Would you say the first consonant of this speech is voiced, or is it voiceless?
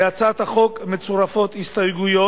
voiceless